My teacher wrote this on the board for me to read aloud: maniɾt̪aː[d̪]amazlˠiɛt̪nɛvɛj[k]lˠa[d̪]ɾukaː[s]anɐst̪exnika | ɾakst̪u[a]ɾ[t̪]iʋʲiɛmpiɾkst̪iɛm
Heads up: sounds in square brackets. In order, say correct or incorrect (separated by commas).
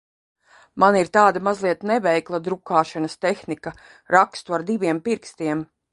correct, correct, correct, incorrect, correct, incorrect